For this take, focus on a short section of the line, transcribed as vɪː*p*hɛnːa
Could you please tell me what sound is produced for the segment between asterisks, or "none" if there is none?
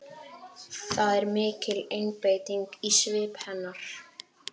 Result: p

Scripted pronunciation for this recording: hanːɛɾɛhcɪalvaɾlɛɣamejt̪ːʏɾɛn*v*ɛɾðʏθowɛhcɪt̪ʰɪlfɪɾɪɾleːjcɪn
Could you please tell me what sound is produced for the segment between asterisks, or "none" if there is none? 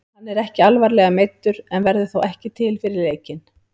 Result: v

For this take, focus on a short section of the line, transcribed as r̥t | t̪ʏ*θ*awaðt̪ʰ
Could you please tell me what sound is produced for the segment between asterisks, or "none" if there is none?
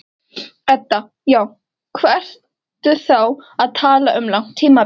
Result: θ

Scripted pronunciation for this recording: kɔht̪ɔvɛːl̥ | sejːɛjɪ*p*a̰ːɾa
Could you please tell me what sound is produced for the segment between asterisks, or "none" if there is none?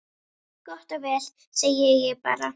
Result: p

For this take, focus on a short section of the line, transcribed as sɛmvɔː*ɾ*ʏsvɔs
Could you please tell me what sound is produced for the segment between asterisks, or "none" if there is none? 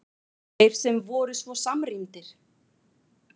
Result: ɾ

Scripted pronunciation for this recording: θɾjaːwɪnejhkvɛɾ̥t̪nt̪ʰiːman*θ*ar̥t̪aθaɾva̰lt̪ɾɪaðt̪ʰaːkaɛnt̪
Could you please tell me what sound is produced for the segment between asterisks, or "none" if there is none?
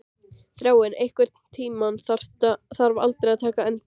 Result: θ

